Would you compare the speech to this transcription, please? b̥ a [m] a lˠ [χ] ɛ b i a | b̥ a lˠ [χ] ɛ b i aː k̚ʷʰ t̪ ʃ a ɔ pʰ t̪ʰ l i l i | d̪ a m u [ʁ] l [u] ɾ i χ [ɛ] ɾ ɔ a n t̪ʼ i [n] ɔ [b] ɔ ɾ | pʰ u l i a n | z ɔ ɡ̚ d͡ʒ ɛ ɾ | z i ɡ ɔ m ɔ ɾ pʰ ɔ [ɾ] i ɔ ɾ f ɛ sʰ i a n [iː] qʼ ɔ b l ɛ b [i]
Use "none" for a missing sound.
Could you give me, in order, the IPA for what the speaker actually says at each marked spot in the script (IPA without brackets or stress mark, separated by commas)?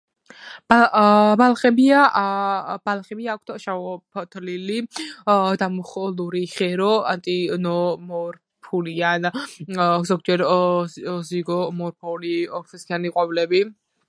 b, χ, χ, χ, u, ɛ, n, m, l, i, i